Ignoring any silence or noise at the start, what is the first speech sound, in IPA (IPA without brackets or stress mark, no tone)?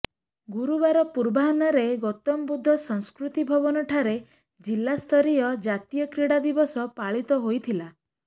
ɡ